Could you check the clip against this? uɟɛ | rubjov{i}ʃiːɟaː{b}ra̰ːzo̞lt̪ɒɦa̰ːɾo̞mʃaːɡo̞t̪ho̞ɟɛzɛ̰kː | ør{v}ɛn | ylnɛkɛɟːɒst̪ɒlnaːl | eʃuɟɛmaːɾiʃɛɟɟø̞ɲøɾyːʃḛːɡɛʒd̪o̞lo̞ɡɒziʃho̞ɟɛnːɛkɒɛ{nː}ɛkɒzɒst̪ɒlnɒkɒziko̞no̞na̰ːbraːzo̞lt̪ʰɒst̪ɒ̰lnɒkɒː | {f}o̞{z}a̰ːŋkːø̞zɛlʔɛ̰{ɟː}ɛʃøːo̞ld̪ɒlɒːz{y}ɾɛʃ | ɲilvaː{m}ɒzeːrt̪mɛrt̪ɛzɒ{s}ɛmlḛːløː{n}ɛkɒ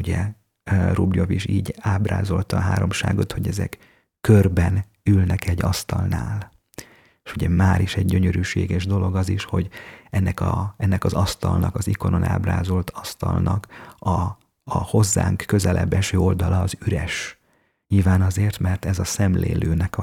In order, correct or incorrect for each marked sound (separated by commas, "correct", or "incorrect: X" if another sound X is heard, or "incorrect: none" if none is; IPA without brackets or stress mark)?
correct, correct, incorrect: b, correct, incorrect: h, incorrect: zː, incorrect: bː, correct, incorrect: n, correct, correct